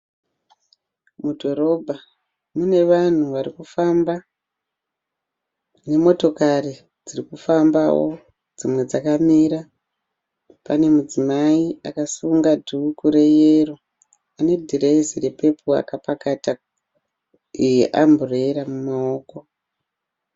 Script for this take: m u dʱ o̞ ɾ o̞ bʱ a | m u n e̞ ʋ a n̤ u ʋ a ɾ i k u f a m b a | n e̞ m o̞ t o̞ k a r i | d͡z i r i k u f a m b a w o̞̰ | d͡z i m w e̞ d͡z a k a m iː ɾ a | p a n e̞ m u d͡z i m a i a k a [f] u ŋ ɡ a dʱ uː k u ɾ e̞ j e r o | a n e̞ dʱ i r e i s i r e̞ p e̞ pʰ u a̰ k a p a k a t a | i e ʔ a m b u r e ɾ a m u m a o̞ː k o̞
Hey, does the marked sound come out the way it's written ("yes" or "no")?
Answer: no